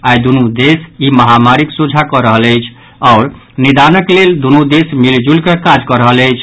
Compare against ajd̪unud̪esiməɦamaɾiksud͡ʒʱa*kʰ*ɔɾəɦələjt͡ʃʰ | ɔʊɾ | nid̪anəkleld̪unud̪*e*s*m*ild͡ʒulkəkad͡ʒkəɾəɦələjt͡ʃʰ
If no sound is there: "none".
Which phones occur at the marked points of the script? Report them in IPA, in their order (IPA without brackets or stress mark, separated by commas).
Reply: k, e, m